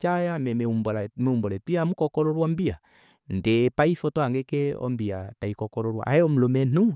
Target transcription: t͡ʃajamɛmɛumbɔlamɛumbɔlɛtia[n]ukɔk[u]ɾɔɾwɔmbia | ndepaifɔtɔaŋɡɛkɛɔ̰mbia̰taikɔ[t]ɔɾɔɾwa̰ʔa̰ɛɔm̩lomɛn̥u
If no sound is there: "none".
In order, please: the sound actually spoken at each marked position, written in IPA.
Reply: m, ɔ, k

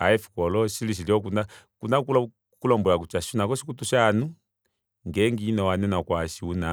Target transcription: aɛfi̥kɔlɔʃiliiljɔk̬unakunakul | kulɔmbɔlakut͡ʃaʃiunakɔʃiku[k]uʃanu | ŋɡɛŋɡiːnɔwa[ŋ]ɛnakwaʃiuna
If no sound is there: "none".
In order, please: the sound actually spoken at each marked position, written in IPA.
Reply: t, n

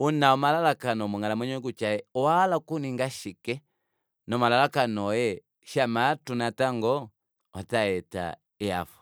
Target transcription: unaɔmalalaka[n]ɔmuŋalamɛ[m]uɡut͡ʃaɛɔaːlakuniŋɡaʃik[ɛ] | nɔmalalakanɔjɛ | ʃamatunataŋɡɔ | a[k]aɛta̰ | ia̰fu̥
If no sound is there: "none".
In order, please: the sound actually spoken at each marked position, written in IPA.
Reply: n, ɲ, ɛ, t

